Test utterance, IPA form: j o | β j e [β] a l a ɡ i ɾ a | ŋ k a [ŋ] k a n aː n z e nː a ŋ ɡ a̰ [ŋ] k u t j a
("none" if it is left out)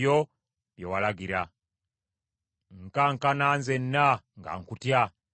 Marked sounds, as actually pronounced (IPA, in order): w, ŋ, ŋ

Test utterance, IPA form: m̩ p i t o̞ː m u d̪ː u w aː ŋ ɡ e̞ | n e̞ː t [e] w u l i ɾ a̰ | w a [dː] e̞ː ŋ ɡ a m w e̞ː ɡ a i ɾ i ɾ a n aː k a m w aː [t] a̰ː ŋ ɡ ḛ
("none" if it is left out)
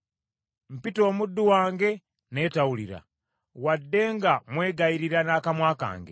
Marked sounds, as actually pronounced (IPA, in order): a, dː, k

